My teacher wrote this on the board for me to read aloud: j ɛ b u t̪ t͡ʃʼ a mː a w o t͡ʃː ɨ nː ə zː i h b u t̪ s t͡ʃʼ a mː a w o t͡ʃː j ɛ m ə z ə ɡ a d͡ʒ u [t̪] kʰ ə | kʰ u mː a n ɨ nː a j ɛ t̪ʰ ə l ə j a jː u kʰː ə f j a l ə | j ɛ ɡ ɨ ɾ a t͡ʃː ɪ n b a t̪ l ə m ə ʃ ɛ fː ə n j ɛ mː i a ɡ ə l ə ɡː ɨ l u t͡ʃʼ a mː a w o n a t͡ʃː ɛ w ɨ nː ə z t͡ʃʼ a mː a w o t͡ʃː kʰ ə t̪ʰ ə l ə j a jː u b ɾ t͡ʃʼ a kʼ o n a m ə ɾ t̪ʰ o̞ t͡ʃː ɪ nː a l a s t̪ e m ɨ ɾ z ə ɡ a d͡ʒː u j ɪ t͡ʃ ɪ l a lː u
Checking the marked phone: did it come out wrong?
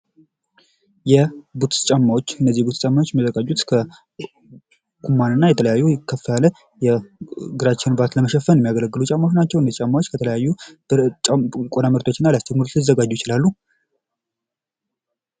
no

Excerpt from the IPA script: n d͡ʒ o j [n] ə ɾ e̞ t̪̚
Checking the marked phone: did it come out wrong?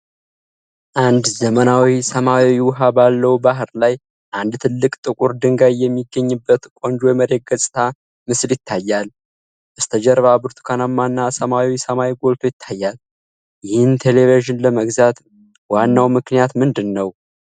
yes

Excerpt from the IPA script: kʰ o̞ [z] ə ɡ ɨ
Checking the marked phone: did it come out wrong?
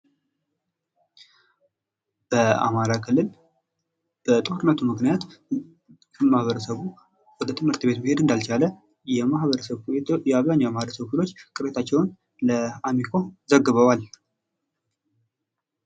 no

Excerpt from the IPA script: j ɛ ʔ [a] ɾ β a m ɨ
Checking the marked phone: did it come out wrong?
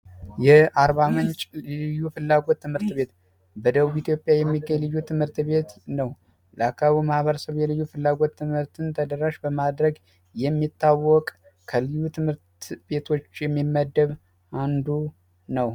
no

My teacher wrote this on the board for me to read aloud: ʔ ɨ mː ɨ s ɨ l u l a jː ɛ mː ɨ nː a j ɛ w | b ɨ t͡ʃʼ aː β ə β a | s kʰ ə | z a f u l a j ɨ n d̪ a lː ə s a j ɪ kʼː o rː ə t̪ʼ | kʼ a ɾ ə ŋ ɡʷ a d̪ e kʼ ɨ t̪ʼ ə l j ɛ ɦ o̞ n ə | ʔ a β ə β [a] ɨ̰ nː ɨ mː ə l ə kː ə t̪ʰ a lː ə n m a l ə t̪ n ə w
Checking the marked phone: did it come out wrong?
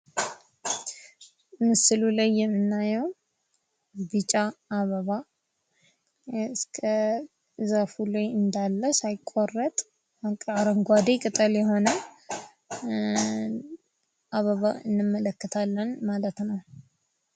no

